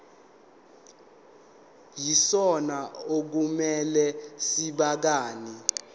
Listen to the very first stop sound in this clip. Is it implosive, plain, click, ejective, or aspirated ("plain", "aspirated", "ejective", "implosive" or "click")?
plain